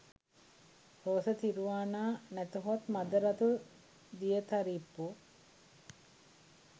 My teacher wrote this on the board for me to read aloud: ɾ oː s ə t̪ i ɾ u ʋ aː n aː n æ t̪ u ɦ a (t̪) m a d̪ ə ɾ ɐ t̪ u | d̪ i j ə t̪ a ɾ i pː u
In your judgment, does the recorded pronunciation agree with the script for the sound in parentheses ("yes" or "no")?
yes